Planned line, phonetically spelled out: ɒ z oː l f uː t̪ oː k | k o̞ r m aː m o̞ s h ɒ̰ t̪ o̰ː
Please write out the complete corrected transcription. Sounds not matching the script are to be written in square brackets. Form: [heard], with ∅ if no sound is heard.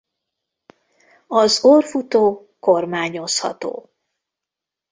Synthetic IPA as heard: ɒ z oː [r] f [u] t̪ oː [∅] | k o̞ r m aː [ɲ] o̞ s h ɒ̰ t̪ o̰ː